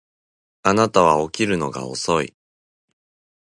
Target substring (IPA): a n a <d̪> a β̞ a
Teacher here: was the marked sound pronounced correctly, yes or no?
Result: no